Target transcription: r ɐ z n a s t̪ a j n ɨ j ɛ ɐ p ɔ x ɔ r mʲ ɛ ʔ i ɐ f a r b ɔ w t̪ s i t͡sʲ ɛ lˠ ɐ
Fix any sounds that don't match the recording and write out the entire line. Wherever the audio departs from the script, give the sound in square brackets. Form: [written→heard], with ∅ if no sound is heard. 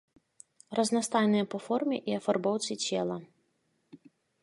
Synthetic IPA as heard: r ɐ z n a s t̪ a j n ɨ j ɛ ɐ p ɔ [x→f] ɔ r mʲ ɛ ʔ i ɐ f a r b ɔ w t̪ s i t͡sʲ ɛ lˠ ɐ